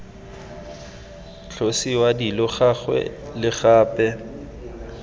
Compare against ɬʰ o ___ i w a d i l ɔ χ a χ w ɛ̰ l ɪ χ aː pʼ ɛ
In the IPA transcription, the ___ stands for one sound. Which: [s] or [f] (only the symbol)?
s